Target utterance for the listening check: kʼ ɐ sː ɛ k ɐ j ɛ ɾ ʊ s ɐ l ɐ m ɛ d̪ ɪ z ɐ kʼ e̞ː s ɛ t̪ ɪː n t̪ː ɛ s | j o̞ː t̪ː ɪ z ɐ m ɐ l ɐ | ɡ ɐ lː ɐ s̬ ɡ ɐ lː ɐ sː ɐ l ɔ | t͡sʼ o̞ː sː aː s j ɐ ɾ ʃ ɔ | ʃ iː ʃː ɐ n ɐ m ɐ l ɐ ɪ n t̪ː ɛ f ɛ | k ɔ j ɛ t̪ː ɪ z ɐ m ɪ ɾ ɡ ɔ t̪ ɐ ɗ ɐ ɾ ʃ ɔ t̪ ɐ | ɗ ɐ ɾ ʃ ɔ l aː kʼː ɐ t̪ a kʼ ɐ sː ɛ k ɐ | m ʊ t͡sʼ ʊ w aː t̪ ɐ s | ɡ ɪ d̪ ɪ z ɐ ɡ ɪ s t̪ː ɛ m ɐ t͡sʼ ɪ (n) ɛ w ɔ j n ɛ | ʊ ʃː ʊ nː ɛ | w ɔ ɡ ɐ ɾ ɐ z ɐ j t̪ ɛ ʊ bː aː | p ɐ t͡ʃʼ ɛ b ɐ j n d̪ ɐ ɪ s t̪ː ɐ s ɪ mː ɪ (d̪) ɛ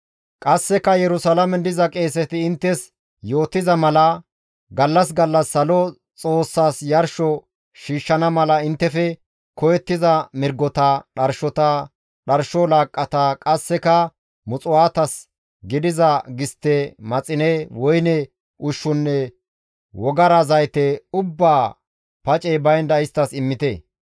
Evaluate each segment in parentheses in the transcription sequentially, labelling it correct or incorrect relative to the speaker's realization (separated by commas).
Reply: correct, incorrect